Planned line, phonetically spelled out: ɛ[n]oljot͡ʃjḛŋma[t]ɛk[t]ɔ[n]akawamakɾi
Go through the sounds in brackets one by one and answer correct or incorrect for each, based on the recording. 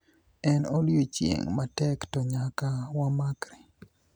correct, correct, correct, incorrect: ɲ

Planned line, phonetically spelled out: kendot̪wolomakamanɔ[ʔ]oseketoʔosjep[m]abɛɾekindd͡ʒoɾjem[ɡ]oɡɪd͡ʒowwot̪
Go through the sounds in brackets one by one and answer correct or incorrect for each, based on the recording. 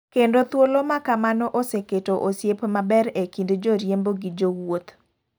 correct, correct, incorrect: b

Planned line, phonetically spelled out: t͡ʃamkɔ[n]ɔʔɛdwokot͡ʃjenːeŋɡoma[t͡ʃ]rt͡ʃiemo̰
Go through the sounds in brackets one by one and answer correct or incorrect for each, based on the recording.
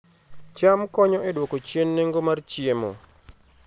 incorrect: ɲ, incorrect: none

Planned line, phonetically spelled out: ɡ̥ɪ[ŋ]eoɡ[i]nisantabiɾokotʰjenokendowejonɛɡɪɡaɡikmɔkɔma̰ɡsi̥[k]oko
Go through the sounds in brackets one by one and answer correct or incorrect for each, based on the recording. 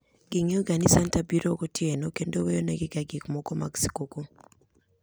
correct, incorrect: a, correct

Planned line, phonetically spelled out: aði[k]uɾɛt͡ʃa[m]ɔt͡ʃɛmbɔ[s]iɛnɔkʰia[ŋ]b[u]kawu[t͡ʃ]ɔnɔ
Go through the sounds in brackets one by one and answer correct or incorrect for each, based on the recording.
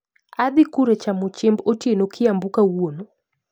correct, correct, incorrect: t, incorrect: m, correct, incorrect: none

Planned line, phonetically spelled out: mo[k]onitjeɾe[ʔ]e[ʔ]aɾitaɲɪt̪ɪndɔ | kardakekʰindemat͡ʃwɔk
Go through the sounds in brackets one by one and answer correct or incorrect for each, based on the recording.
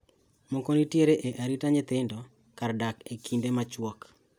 correct, correct, correct

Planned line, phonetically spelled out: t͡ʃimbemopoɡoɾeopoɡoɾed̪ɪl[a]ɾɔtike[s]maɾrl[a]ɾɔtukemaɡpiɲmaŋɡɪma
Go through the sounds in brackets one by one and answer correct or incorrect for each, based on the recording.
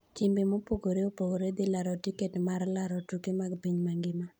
correct, incorrect: t, correct

